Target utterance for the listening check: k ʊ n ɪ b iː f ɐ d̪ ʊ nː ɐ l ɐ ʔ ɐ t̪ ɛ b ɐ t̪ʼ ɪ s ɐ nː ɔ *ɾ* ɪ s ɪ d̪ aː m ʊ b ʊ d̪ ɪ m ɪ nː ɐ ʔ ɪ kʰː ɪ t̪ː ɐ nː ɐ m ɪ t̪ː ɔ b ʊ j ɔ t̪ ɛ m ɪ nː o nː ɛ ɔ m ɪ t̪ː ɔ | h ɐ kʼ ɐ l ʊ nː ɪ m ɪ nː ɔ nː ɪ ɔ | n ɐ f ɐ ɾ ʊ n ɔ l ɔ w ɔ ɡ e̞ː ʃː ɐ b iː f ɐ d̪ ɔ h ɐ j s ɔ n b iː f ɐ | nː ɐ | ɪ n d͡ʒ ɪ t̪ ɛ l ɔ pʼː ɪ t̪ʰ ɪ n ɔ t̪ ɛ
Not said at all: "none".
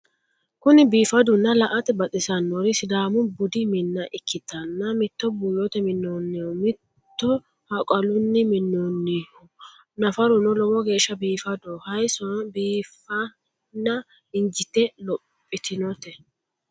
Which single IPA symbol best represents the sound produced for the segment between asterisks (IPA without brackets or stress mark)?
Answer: ɾ